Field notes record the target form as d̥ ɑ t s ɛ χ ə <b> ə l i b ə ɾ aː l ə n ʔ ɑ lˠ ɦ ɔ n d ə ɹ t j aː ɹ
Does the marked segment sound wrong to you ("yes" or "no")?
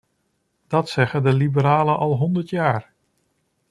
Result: yes